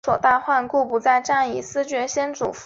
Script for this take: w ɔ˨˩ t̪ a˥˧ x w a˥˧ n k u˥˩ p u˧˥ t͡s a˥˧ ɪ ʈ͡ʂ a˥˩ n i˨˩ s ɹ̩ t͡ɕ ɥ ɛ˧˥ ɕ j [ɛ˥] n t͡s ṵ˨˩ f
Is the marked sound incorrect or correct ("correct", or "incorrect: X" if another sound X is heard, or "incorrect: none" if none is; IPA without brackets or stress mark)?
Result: correct